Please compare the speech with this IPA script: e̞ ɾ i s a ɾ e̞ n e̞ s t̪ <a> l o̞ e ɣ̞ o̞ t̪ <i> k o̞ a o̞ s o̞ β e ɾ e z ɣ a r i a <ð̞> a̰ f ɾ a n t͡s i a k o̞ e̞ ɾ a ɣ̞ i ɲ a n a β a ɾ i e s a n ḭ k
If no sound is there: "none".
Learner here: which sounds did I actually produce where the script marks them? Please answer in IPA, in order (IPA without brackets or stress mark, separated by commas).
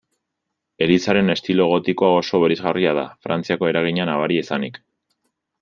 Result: i, i, ð̞